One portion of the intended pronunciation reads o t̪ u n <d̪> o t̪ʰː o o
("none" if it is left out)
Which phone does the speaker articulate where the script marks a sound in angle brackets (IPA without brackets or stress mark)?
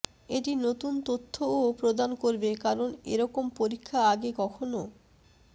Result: t̪